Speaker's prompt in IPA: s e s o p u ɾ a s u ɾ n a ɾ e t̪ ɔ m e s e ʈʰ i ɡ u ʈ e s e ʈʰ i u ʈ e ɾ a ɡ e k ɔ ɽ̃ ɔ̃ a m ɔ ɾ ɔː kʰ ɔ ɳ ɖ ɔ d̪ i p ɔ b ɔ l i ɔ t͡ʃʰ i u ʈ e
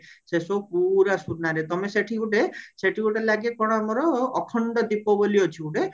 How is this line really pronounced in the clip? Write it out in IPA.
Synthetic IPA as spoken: s e s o p u ɾ a s u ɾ n a ɾ e t̪ ɔ m e s e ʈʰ i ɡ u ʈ e s e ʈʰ i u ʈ e l a ɡ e k ɔ ɽ̃ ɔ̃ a m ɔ ɾ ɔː kʰ ɔ ɳ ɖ ɔ d̪ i p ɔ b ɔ l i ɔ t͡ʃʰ i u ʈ e